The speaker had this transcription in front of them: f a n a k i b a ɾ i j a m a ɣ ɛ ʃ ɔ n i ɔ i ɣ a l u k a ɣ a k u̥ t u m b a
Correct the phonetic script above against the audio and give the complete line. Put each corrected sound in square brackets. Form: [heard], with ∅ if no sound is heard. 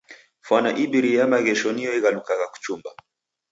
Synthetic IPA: f a n a [ʔ] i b [i] ɾ i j a m a ɣ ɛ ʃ ɔ n i ɔ i ɣ a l u k a ɣ a k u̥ [t͡ʃ] u m b a